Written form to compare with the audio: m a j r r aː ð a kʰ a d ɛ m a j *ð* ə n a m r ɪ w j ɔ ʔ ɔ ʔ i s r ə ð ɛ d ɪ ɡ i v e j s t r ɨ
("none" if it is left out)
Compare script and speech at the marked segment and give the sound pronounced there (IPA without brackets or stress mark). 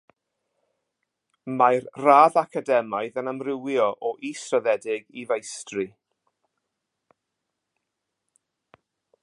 ð